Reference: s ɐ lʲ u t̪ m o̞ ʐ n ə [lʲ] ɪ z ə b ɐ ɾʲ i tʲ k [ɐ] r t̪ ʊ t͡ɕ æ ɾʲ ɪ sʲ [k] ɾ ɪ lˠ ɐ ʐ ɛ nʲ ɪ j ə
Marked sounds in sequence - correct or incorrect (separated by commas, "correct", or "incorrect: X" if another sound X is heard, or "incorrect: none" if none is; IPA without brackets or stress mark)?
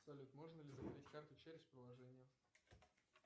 correct, incorrect: a, incorrect: p